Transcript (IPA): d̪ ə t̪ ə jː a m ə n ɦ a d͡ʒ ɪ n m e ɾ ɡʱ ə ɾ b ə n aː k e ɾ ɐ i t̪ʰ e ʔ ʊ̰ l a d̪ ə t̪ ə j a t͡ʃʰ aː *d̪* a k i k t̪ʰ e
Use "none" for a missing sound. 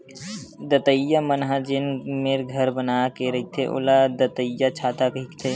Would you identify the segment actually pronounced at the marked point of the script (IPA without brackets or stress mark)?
t̪